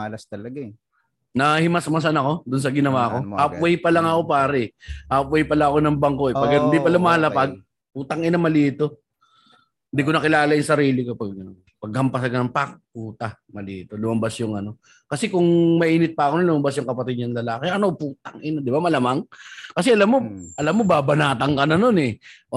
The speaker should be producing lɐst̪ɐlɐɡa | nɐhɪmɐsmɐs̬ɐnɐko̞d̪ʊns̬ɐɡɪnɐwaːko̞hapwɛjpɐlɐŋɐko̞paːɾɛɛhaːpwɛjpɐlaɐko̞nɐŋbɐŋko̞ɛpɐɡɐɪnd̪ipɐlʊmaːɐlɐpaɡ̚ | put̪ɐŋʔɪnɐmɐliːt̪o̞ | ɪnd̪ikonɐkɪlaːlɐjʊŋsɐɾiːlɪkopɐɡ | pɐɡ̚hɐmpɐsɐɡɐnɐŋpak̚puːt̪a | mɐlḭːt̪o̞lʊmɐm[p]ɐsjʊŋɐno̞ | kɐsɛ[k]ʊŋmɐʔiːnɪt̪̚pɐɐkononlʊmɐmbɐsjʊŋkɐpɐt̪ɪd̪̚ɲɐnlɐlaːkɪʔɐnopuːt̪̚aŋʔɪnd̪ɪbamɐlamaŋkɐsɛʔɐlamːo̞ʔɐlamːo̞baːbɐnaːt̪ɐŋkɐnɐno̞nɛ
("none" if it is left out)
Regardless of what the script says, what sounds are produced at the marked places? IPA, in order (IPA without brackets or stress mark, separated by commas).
b, k